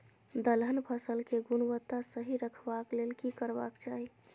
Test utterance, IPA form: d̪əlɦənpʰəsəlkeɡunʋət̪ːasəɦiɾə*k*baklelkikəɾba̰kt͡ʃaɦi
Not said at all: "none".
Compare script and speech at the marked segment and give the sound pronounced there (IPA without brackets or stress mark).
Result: kʰ